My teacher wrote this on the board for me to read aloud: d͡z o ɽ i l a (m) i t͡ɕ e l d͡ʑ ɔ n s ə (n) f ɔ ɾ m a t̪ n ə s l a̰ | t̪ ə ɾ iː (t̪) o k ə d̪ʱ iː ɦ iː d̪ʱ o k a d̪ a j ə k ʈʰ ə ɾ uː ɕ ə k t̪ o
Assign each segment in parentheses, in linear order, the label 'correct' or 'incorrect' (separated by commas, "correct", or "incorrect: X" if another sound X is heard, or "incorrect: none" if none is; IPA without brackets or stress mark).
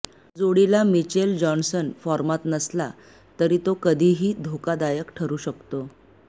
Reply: correct, correct, correct